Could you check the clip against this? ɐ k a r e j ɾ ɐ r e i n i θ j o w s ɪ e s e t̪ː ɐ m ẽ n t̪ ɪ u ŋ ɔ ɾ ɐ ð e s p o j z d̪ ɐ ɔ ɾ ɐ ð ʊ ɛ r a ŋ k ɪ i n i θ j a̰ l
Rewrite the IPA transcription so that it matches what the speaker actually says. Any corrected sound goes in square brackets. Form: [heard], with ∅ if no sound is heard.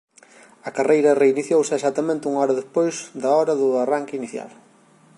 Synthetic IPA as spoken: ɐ k a r e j ɾ ɐ r e i n i θ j o w s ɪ e s [a] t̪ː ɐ m ẽ n t̪ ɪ u ŋ ɔ ɾ ɐ ð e s p o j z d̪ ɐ ɔ ɾ ɐ ð ʊ [a] r a ŋ k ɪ i n i θ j a̰ l